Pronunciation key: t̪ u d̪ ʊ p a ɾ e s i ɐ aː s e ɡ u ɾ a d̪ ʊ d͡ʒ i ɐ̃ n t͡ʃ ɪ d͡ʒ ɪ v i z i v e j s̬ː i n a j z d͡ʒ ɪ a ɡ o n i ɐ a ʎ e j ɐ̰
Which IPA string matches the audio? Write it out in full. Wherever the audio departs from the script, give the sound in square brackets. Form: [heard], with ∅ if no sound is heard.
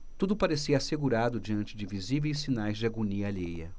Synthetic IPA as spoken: t̪ u d̪ ʊ p a ɾ e s i ɐ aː s e ɡ u ɾ a d̪ ʊ d͡ʒ i ɐ̃ n t͡ʃ ɪ d͡ʒ ɪ v i z i v e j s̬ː i n a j z d͡ʒ ɪ a ɡ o n i ɐ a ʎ e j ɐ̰

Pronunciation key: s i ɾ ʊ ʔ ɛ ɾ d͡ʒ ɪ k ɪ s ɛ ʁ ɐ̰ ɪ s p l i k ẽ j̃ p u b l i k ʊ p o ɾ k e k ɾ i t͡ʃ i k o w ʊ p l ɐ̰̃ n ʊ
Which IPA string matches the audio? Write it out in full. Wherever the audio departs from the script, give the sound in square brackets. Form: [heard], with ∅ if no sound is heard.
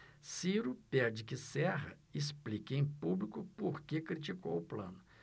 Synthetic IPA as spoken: s i ɾ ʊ [p] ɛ ɾ d͡ʒ ɪ k ɪ s ɛ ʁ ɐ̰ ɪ s p l i k ẽ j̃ p u b l i k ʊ p o ɾ k e k ɾ i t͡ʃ i k o w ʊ p l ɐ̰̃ n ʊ

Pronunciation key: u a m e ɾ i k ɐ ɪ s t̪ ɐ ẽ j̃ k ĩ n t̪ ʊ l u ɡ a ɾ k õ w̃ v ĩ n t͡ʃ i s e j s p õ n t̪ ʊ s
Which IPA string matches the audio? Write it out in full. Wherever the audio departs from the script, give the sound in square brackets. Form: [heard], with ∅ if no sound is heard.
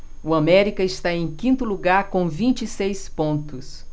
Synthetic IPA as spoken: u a m [ɛ] ɾ i k ɐ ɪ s t̪ [a] ẽ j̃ k ĩ n t̪ ʊ l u ɡ a ɾ k õ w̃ v ĩ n t͡ʃ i s e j s p õ n t̪ ʊ s

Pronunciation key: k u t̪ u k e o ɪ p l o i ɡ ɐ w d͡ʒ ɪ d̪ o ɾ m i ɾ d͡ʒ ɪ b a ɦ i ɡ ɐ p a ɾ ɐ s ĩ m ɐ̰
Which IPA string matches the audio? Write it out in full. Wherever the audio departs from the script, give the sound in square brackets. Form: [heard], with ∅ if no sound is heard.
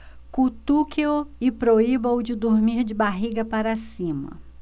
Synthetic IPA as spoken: k u t̪ u k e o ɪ p [ɾ] o i [b] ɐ w d͡ʒ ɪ d̪ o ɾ m i ɾ d͡ʒ ɪ b a ɦ i ɡ ɐ p a ɾ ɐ s ĩ m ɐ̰

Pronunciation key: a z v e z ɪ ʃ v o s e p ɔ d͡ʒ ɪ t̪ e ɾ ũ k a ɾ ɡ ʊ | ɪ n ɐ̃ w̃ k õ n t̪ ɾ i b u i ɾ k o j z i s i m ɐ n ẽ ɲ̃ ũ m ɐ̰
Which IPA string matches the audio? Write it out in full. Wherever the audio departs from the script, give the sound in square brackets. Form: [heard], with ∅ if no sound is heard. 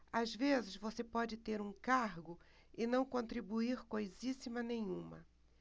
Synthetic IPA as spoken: a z v e z ɪ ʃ v o s e p ɔ d͡ʒ ɪ t̪ e ɾ ũ k a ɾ ɡ ʊ | ɪ n ɐ̃ w̃ k õ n t̪ ɾ i b u i ɾ k o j z i s i m ɐ n ẽ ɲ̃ ũ m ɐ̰

